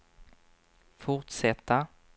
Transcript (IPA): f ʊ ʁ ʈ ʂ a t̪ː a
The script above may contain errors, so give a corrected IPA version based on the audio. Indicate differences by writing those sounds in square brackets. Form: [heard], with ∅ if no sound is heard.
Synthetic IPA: f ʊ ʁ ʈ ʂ [ɛ] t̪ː a